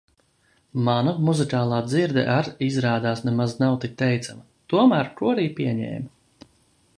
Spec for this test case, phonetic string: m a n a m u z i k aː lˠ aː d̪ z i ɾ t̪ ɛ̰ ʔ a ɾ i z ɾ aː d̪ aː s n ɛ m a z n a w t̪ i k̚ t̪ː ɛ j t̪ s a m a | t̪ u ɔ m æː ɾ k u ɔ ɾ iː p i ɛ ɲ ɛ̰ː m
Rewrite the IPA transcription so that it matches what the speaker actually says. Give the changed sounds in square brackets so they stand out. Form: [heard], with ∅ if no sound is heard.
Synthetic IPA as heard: m a n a m u z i k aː lˠ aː d̪ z i ɾ [d̪] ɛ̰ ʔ a ɾ i z ɾ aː d̪ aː s n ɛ m a z n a w t̪ i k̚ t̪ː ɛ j t̪ s a m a | t̪ u ɔ m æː ɾ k u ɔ ɾ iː p i ɛ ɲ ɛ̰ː m